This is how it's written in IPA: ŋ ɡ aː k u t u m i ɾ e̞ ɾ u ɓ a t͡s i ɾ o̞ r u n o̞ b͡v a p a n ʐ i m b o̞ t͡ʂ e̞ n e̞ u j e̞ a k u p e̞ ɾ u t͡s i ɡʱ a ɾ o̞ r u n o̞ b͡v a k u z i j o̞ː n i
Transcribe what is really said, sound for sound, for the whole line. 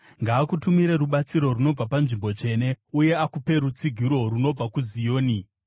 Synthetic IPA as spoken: ŋ ɡ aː k u t u m i ɾ e̞ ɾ u ɓ a t͡s i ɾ o̞ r u n o̞ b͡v a p a n ʐ i m b o̞ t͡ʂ e̞ n e̞ u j e̞ a k u p e̞ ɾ u t͡s i ɡʱ i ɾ o̞ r u n o̞ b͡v a k u z i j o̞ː n i